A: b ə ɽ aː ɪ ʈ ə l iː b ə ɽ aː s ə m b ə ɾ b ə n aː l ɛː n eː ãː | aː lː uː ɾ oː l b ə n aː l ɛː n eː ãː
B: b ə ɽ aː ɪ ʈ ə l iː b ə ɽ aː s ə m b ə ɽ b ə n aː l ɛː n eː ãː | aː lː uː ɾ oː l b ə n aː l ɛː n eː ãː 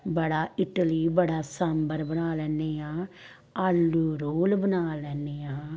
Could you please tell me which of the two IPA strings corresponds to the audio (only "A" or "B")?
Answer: A